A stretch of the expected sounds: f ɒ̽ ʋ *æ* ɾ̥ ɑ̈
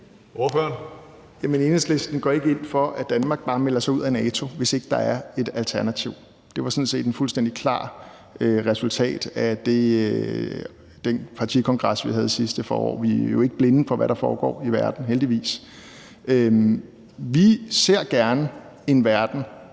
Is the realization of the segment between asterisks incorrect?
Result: no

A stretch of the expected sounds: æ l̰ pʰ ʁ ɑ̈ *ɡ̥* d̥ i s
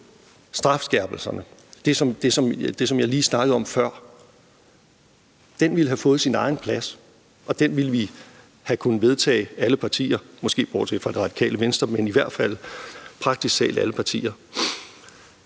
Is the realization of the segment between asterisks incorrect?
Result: no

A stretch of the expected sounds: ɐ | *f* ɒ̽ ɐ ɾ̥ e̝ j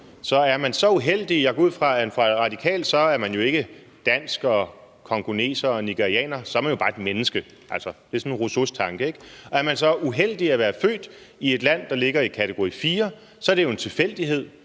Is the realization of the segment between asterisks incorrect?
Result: yes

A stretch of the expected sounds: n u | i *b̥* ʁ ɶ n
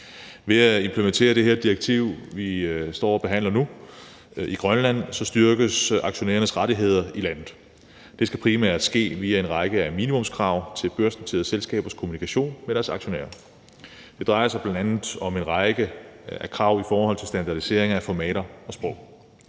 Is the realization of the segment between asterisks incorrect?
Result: yes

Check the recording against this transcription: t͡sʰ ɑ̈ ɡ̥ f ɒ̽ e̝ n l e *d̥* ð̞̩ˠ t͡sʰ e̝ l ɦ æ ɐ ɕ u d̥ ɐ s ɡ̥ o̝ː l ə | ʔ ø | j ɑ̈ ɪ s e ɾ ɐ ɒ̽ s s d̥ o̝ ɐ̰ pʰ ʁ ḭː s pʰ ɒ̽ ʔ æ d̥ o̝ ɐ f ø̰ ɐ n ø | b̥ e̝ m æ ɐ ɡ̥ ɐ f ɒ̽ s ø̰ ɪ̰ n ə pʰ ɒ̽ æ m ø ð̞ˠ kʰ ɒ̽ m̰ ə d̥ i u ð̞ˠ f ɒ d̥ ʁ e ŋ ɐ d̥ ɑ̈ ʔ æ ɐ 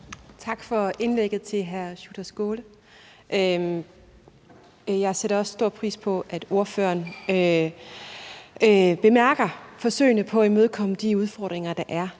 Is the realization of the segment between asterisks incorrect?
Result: yes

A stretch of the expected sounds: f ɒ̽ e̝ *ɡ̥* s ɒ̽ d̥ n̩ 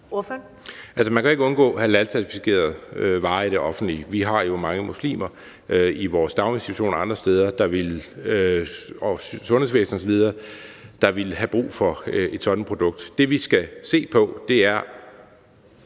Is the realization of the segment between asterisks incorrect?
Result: yes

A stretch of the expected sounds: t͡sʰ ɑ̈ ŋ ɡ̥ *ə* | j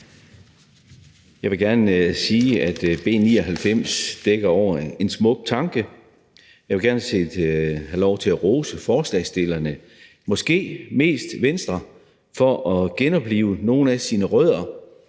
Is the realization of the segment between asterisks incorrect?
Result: no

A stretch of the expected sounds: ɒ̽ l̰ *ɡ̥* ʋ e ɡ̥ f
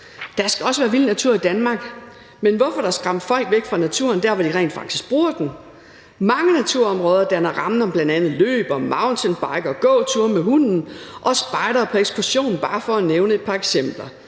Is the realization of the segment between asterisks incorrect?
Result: no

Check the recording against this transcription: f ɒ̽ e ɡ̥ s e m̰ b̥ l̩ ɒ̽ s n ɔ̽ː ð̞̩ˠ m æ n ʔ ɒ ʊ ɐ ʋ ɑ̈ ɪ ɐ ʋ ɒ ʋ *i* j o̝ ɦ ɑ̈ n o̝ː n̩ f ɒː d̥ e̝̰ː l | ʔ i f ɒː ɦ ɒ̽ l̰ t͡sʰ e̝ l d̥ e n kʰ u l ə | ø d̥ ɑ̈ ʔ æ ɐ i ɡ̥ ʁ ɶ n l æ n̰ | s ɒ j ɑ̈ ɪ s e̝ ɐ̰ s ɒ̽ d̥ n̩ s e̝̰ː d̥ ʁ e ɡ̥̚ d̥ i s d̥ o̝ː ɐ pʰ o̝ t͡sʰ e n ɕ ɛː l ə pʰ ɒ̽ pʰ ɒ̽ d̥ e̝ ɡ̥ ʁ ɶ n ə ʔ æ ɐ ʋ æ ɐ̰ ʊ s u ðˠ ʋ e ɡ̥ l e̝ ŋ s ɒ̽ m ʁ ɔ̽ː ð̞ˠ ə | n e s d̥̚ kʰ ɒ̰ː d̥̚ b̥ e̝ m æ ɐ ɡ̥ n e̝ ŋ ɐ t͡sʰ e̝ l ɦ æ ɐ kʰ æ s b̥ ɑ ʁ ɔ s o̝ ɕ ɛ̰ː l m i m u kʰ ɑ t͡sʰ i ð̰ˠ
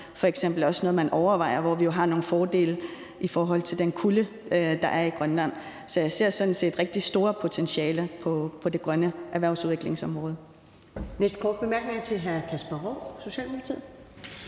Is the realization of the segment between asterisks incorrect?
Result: no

